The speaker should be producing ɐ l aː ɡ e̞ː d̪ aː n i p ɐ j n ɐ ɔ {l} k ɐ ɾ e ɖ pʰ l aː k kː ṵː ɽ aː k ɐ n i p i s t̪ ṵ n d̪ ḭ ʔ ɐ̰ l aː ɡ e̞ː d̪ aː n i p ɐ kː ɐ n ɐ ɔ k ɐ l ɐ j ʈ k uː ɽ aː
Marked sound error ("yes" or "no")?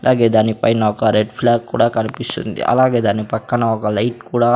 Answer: yes